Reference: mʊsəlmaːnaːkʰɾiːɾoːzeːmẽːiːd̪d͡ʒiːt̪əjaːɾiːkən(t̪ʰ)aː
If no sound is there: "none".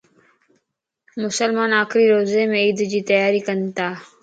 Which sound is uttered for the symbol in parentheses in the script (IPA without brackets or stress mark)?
t̪